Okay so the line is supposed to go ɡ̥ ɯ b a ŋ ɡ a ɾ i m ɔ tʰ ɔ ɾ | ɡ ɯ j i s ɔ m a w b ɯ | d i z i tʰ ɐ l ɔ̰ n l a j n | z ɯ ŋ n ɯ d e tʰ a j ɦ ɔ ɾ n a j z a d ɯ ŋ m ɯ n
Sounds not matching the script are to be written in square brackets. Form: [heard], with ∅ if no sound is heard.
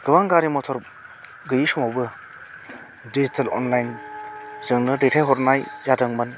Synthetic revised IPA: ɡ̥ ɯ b a ŋ ɡ a ɾ i m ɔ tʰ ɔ ɾ | ɡ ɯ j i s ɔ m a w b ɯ | d i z i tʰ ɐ l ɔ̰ n l a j n | z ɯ ŋ n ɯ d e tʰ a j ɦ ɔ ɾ n a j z a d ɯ ŋ m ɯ n

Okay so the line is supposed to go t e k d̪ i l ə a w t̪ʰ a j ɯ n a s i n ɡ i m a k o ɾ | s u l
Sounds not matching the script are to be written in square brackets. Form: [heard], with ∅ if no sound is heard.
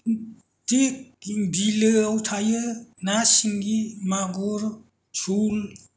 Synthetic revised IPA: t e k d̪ i l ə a w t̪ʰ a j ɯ n a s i [ŋ] ɡ i m a [ɡ] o ɾ | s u l

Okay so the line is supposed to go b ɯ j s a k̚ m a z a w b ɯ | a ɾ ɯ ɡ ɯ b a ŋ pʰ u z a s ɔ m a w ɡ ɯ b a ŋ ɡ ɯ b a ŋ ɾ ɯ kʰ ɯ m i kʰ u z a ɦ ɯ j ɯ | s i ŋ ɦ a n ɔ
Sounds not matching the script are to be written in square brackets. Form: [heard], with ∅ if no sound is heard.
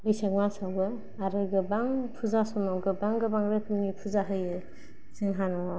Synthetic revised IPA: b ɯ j s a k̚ m a [s] a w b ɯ | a ɾ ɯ ɡ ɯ b a ŋ pʰ u z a s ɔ m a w ɡ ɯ b a ŋ ɡ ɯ b a ŋ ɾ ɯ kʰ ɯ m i [pʰ] u z a ɦ ɯ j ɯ | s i ŋ ɦ a n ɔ

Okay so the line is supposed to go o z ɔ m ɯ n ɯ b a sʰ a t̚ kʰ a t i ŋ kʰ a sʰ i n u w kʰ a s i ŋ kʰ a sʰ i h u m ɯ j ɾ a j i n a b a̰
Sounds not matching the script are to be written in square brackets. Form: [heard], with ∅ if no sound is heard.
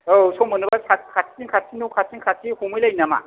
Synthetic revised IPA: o [s] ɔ m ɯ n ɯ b a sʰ a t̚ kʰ a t i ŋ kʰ a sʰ i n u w kʰ a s i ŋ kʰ a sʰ i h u m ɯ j [l] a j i n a [m] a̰

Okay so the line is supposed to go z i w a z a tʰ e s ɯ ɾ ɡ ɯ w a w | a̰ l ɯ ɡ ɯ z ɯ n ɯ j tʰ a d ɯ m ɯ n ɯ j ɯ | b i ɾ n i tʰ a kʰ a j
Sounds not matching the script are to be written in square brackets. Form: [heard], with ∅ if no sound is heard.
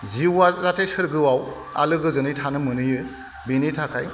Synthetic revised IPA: z i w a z a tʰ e s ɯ ɾ ɡ ɯ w a w | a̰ l ɯ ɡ ɯ z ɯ n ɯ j tʰ a [n] ɯ m ɯ n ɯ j ɯ | b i [∅] n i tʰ a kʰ a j

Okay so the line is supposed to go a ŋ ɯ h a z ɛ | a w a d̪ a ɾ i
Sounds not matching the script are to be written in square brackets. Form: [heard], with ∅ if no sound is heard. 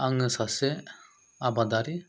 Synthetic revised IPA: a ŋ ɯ [s] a [s] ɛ | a [b] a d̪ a ɾ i

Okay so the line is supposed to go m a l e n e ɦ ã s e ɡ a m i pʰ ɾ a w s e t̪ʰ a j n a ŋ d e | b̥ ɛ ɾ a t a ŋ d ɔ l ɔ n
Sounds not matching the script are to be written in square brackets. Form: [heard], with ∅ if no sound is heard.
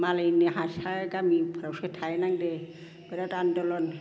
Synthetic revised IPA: m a l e n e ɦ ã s [a] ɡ a m i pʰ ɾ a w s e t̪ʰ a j n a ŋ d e | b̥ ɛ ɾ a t a [n] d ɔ l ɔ n

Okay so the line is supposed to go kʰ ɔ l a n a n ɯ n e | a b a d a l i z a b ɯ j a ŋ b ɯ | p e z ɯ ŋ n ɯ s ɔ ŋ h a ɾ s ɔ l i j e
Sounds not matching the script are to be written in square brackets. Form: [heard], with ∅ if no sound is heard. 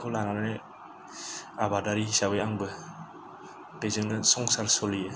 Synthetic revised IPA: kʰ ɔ l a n a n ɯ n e | a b a d a [ɾ] i [s] a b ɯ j a ŋ b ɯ | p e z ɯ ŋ n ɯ s ɔ ŋ [s] a ɾ s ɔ l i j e

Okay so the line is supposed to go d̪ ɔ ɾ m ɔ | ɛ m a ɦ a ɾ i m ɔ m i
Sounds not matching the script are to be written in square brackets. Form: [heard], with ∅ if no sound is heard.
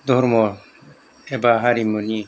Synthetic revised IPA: d̪ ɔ ɾ m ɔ | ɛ [b] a ɦ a ɾ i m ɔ [n] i

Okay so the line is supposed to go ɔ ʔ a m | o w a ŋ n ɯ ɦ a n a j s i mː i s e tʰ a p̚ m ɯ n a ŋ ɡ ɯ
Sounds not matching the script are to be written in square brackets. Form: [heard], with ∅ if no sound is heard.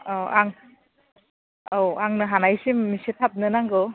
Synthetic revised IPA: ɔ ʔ a [ŋ] | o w a ŋ n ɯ ɦ a n a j s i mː i s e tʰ a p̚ [n] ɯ n a ŋ ɡ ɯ

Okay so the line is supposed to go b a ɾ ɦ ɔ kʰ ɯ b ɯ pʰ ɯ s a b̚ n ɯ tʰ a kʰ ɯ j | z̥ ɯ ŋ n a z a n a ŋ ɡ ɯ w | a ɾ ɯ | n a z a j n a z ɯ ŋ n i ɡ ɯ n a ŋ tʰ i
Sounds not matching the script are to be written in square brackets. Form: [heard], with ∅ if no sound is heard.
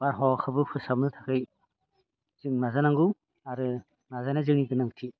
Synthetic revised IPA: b a ɾ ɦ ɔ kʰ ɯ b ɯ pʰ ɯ s a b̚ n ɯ tʰ a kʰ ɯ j | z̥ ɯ ŋ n a z a n a ŋ ɡ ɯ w | a ɾ ɯ | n a z a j n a z ɯ ŋ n i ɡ ɯ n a ŋ tʰ i

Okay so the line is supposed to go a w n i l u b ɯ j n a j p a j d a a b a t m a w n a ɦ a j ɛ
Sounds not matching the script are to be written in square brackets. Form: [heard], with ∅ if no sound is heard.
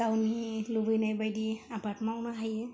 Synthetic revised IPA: a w n i l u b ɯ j n a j [b] a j d [i] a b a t m a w n a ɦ a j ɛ

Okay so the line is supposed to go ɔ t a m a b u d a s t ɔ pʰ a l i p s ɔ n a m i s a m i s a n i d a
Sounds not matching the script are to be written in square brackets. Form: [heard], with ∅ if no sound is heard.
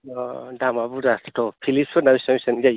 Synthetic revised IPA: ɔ [d] a m a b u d a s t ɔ pʰ [i] l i p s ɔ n a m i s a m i s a n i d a

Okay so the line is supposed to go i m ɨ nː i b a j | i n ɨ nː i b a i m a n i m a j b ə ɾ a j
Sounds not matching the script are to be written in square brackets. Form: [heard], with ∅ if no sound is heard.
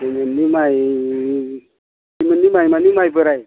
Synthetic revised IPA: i m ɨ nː i [m] a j | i [m] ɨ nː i [m] a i m a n i m a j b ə ɾ a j

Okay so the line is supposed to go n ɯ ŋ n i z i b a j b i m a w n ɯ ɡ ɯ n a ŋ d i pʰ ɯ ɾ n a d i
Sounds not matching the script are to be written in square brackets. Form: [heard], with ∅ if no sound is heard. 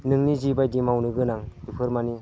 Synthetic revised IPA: n ɯ ŋ n i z i b a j [d] i m a w n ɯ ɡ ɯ n a ŋ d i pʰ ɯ ɾ [m] a [n] i

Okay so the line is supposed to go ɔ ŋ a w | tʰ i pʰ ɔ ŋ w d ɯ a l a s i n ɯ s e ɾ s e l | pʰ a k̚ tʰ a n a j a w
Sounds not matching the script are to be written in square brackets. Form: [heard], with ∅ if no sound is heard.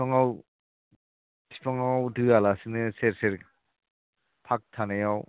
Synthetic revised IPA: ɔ ŋ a w | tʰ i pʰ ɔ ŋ w d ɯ a l a s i n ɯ s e ɾ s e [ɾ] | pʰ a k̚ tʰ a n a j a w

